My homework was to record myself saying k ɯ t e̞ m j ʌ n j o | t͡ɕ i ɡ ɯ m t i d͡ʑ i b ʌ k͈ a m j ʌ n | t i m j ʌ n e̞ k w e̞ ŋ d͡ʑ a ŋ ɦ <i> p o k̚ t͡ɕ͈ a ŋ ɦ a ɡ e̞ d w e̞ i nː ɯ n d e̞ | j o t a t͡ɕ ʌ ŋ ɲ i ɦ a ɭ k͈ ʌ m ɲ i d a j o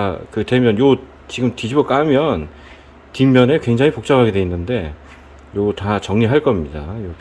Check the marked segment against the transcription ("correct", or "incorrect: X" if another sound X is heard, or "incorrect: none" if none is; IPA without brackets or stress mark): correct